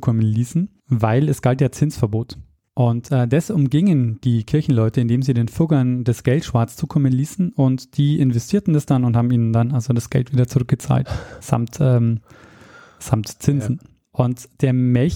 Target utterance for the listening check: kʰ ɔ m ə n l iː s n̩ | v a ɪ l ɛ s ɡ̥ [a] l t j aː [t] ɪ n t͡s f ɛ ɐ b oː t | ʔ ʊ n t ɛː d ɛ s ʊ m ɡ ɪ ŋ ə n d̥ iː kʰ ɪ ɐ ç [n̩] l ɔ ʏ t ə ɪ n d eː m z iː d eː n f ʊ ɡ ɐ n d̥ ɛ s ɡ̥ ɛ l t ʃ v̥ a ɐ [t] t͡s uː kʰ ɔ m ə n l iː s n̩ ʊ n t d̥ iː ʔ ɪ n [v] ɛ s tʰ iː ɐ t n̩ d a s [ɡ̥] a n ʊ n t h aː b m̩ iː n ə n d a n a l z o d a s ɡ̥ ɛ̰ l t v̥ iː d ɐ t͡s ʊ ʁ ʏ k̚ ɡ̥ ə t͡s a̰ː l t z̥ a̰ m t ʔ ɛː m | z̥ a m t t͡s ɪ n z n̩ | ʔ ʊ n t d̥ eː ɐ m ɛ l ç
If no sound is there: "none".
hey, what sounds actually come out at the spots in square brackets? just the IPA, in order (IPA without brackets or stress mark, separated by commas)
a, t͡s, n̩, t͡s, v, d̥